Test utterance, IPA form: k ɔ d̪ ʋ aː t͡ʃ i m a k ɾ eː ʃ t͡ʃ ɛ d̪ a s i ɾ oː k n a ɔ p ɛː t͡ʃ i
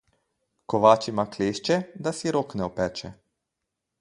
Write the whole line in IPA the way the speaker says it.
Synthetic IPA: k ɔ ʋ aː t͡ʃ i m a k l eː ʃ t͡ʃ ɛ d̪ a s i ɾ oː k n ɛ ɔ p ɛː t͡ʃ ɛ